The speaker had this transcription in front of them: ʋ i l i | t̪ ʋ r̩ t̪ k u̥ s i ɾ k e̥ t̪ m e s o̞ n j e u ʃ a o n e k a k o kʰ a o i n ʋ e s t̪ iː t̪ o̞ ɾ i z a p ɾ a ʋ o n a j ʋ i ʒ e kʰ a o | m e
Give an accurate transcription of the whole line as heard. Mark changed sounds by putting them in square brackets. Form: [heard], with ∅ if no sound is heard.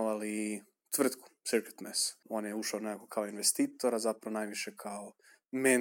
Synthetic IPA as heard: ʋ [a] l i | t̪ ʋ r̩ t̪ k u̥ s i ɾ k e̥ t̪ m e s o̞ n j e u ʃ a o n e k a k o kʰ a o i n ʋ e s t̪ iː t̪ o̞ ɾ [a] z a p ɾ a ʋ o n a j ʋ i [ʃ] e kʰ a o | m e